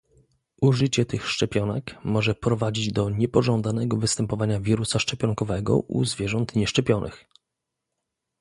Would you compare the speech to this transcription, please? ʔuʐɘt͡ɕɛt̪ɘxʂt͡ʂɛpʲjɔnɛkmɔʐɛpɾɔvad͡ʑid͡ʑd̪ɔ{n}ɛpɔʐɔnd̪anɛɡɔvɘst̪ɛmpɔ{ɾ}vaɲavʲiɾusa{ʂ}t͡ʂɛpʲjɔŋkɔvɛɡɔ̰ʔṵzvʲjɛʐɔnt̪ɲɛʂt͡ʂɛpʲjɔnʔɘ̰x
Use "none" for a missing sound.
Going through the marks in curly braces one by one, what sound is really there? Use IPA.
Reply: ɲ, none, ʂ

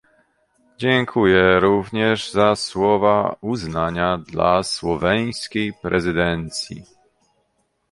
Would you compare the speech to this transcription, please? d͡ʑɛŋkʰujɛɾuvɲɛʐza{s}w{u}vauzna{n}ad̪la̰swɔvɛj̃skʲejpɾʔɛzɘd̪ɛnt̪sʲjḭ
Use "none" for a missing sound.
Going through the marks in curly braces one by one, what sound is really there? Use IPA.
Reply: s, ɔ, ɲ

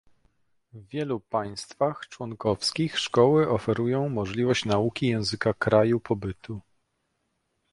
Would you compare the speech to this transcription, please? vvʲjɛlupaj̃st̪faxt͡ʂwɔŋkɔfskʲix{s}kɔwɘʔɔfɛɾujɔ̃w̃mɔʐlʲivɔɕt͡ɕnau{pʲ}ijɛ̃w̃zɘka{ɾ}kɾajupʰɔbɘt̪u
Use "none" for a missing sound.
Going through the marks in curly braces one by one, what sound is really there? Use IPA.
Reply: ʂ, kʲ, none

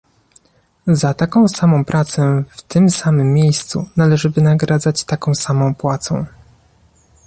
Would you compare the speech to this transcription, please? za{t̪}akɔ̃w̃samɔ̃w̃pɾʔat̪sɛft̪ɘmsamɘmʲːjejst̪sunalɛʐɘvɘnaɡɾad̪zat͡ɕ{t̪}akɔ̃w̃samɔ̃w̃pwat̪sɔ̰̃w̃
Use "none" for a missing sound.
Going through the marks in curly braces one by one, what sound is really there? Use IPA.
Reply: t̪, t̪

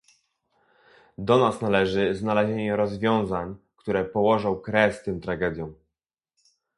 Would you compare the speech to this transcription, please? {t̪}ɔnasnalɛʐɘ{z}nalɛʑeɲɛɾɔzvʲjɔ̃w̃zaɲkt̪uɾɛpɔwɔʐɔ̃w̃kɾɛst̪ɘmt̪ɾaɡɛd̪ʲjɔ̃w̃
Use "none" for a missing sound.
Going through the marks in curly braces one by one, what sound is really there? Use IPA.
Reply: d̪, z

